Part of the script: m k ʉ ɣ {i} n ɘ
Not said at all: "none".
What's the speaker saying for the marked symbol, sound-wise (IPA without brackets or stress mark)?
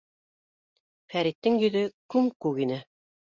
i